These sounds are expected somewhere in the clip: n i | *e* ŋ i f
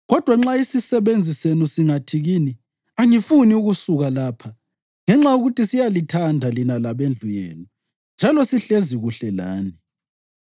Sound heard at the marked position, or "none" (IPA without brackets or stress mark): a